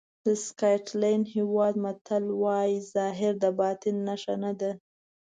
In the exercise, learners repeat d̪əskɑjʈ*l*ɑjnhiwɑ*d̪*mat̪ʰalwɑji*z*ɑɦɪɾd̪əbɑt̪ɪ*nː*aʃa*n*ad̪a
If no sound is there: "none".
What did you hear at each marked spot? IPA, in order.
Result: l, d̪, z, nː, n

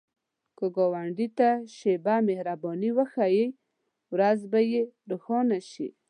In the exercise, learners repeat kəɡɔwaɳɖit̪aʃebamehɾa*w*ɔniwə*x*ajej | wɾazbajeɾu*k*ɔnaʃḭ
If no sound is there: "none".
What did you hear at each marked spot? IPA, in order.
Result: b, x, x

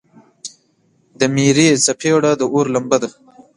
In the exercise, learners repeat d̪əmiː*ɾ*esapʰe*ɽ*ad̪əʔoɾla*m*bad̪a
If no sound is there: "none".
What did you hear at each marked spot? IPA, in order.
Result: ɾ, ɽ, m

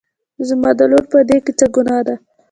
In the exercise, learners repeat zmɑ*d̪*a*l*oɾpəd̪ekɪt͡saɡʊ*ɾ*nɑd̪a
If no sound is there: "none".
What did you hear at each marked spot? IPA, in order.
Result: d̪, l, none

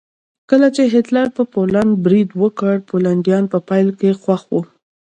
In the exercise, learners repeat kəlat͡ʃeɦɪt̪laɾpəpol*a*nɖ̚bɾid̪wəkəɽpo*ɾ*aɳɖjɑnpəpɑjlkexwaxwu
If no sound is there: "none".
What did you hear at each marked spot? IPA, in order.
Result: a, l

